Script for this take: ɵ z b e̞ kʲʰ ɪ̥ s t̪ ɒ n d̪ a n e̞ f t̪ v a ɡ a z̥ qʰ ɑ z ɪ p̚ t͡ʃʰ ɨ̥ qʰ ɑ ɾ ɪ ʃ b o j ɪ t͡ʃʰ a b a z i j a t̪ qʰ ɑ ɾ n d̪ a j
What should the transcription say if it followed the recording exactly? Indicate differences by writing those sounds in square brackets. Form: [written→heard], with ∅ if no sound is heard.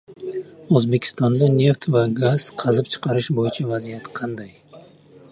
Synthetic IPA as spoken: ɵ z b e̞ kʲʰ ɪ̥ s t̪ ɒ n d̪ a n e̞ f t̪ v a ɡ a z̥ qʰ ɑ z ɪ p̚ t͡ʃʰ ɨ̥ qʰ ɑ ɾ ɪ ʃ b o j ɪ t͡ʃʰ a [b→v] a z i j a t̪ qʰ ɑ [ɾ→∅] n d̪ a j